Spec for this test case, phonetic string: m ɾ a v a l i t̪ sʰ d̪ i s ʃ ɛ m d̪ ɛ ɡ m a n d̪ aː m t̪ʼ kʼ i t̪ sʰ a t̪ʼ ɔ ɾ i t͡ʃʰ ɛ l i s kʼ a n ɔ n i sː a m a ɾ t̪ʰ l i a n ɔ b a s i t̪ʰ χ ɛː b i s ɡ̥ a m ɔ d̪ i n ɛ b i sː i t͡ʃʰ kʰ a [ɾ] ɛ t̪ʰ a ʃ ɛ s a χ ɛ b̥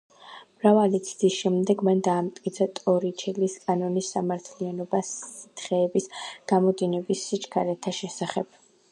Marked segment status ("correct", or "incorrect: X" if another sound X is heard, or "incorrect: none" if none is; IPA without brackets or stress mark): correct